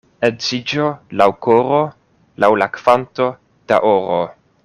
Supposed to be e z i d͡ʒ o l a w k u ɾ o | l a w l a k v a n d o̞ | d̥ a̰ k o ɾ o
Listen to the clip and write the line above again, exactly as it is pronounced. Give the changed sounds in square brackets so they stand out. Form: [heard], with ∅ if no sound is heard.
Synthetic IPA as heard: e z i d͡ʒ o l a w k [o] ɾ o | l a w l a k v a n [t] o̞ | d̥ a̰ [ʔ] o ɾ o